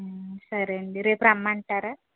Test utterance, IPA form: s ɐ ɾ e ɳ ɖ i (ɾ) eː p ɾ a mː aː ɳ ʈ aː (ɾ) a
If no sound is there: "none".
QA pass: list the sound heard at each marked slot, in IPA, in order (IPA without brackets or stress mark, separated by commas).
ɾ, ɾ